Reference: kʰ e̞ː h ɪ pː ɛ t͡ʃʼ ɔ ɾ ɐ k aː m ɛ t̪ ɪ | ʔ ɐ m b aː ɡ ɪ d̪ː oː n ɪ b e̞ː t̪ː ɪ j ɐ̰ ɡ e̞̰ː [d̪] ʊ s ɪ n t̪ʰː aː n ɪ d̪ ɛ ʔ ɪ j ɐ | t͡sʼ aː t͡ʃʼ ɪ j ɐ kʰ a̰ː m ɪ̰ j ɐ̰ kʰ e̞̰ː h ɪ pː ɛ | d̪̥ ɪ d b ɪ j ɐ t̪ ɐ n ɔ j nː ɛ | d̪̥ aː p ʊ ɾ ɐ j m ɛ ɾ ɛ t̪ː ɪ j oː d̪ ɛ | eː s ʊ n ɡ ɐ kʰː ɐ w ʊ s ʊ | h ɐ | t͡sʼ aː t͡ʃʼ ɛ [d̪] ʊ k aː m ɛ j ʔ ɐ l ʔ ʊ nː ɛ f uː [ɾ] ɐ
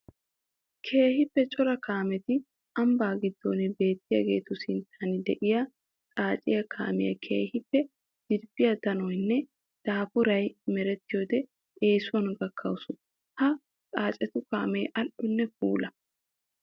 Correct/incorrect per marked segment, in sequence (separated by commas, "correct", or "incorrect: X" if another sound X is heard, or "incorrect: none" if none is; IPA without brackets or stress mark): incorrect: t̪, incorrect: t̪, incorrect: l